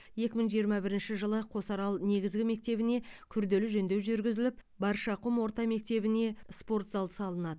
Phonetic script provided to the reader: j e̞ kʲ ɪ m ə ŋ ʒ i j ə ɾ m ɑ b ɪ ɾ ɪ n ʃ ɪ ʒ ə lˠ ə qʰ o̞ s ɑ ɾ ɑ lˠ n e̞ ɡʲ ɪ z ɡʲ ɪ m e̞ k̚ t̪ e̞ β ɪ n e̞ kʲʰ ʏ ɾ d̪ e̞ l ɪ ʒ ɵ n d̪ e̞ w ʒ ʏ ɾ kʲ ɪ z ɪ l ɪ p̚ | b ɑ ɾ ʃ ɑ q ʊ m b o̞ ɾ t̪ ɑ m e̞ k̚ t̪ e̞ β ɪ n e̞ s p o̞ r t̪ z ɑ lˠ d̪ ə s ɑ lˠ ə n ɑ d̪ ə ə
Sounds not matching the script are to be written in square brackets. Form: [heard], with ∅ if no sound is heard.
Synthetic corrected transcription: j e̞ kʲ ɪ m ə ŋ ʒ i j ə ɾ m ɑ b ɪ ɾ ɪ n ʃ ɪ ʒ ə lˠ ə qʰ o̞ s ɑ ɾ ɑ lˠ n e̞ ɡʲ ɪ z ɡʲ ɪ m e̞ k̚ t̪ e̞ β ɪ n e̞ kʲʰ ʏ ɾ d̪ e̞ l ɪ ʒ ɵ n d̪ e̞ w ʒ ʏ ɾ [ɡʲ] ɪ z ɪ l ɪ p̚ | b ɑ ɾ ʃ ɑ q ʊ m [w] o̞ ɾ t̪ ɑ m e̞ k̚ t̪ e̞ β ɪ n e̞ s p o̞ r t̪ z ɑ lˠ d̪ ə s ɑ lˠ ə n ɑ d̪ ə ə